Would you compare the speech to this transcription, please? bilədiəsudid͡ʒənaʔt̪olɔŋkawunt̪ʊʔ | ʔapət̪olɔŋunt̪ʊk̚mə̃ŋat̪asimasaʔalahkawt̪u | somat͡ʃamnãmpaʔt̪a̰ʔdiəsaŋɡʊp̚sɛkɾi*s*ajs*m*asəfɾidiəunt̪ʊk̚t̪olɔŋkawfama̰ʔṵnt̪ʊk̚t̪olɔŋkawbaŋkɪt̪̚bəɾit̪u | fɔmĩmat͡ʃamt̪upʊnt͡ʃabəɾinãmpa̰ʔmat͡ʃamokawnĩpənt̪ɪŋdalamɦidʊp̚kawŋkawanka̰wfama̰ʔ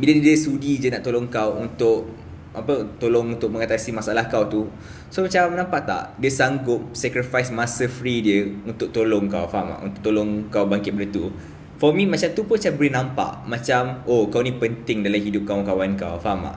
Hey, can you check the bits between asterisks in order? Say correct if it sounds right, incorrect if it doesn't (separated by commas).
incorrect, correct